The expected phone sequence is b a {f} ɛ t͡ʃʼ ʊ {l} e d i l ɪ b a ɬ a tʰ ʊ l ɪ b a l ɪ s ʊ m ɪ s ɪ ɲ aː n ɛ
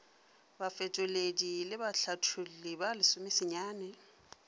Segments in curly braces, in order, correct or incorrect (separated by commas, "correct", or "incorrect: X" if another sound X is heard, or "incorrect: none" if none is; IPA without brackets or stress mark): correct, correct